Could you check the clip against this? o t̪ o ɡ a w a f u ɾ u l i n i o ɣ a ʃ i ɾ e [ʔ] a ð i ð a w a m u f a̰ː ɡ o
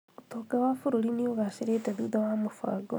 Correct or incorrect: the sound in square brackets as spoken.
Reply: incorrect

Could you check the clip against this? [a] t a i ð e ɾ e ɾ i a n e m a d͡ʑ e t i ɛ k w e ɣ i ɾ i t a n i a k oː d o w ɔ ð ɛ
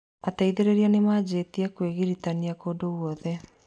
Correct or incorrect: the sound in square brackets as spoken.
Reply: correct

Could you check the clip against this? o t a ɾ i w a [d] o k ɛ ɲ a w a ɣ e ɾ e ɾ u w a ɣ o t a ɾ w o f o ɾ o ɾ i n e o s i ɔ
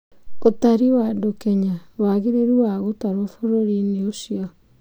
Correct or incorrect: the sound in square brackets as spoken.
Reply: correct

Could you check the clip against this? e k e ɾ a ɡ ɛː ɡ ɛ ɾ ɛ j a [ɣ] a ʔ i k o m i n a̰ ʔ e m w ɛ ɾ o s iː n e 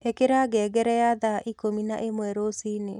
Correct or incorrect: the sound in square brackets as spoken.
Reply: incorrect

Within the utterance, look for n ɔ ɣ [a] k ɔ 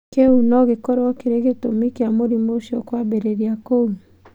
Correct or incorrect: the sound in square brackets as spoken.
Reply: incorrect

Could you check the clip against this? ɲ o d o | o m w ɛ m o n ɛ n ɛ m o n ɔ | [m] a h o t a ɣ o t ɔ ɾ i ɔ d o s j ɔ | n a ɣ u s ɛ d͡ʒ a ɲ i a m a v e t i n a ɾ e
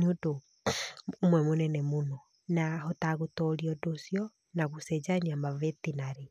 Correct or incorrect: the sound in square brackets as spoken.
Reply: incorrect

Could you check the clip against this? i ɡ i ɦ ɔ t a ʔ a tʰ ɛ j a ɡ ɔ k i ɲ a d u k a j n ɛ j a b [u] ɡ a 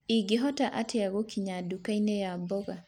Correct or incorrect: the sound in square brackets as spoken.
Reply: incorrect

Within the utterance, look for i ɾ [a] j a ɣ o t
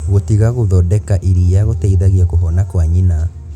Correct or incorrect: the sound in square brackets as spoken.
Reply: incorrect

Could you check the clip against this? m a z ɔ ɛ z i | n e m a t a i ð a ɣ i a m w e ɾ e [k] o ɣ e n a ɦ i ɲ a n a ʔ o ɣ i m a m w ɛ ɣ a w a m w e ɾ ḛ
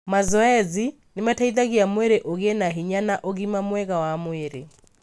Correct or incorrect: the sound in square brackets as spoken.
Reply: incorrect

